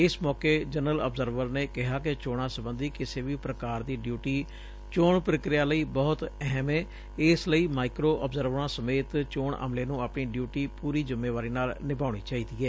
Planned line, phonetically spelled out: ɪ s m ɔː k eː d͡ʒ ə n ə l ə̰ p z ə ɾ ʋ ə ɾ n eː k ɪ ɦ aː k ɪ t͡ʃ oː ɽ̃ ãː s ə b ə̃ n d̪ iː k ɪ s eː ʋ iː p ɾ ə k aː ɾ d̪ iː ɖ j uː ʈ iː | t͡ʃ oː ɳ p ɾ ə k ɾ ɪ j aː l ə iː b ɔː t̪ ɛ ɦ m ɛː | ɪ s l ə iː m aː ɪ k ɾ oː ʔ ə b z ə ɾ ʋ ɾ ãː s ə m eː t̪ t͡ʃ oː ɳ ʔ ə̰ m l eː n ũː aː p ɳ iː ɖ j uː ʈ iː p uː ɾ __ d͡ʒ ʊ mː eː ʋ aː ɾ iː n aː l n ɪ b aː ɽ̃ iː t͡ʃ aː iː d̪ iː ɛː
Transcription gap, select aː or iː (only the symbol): iː